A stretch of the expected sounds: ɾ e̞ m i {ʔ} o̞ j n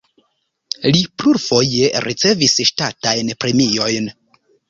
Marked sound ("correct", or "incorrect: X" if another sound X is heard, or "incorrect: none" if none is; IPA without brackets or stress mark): incorrect: none